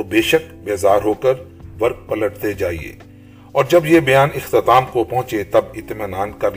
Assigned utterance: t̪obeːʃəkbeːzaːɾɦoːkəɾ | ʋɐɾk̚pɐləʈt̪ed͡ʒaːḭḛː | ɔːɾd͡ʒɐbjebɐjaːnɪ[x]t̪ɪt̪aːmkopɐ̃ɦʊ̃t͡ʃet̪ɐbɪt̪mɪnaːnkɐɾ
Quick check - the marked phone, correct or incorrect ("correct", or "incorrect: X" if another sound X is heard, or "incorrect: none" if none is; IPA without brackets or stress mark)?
correct